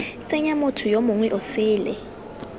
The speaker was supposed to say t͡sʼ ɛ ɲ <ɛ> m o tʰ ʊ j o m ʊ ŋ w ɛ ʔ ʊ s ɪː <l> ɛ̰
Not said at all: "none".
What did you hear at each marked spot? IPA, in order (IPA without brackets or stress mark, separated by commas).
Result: a, l